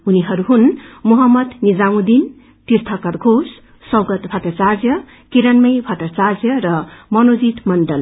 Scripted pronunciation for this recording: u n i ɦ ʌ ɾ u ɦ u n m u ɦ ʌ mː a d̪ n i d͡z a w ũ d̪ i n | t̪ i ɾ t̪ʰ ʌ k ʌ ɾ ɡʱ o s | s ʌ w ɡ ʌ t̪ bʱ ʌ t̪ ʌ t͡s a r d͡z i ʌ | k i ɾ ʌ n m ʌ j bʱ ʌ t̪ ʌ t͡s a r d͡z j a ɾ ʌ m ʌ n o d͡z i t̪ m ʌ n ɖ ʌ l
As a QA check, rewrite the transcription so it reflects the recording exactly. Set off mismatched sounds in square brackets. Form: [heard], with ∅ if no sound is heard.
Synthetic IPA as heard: u n i ɦ ʌ ɾ u ɦ u n m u ɦ ʌ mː [ʌ] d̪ n i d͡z a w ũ d̪ i n | t̪ i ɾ t̪ʰ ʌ k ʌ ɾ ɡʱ o s | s ʌ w ɡ ʌ t̪ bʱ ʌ t̪ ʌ t͡s a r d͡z [j] ʌ | k i ɾ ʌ n m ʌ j bʱ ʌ t̪ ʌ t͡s a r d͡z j [ʌ] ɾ ʌ m ʌ n o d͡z i t̪ m ʌ n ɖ ʌ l